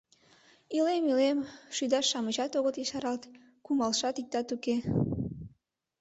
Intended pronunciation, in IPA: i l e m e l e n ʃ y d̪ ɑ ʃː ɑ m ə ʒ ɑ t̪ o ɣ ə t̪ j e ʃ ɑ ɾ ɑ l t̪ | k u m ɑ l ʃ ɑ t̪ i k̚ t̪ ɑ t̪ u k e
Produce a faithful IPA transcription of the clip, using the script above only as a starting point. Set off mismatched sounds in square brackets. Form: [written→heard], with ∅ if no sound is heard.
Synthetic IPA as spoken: i l e m [e→i] l e [n→m] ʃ y d̪ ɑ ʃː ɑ m ə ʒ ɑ t̪ o ɣ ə t̪ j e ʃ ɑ ɾ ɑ l t̪ | k u m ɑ l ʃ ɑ t̪ i k̚ t̪ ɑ t̪ u k e